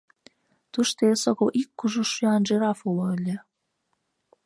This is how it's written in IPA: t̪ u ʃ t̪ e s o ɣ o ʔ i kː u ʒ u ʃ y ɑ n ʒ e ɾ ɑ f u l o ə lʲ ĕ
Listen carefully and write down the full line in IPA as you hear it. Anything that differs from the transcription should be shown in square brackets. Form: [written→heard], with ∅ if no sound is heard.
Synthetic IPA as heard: t̪ u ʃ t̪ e s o ɣ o ʔ i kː u ʒ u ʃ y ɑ n ʒ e ɾ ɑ f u l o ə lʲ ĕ